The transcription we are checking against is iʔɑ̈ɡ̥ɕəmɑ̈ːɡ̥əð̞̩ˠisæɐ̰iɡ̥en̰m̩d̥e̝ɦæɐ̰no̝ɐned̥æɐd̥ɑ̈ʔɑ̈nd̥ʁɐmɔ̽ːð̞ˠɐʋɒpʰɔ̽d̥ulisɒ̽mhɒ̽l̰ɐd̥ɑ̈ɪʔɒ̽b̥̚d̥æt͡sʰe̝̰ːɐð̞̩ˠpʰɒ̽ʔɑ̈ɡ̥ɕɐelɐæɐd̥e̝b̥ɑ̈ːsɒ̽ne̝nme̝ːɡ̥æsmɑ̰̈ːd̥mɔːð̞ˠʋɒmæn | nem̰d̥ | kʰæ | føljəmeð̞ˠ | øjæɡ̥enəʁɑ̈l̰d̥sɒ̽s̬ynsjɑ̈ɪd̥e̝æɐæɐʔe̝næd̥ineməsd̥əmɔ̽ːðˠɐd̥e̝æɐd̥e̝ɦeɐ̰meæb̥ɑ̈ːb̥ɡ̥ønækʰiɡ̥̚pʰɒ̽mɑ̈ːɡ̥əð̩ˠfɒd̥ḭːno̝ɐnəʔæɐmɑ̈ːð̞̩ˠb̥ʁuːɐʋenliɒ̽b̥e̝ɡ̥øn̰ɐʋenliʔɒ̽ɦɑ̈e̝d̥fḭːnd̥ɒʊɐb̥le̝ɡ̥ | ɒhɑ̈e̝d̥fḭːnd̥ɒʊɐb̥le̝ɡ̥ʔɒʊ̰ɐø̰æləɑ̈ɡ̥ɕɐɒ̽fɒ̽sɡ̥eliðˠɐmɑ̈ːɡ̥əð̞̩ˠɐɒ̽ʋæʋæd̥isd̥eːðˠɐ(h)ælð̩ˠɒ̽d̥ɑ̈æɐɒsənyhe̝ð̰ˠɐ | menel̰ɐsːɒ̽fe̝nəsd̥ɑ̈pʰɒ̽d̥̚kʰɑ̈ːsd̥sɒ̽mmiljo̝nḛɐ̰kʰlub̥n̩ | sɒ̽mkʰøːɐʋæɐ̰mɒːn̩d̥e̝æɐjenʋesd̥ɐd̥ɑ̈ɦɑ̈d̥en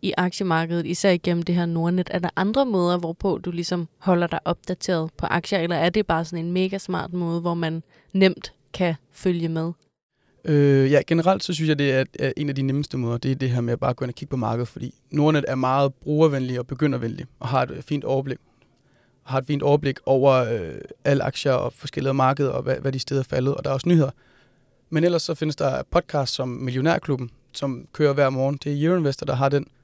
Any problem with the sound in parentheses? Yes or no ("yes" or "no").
yes